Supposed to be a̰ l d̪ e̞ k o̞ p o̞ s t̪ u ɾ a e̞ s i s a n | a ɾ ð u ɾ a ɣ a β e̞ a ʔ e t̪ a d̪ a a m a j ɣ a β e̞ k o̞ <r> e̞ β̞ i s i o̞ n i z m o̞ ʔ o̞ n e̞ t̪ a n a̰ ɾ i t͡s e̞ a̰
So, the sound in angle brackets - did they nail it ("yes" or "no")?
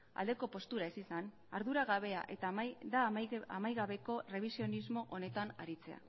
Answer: yes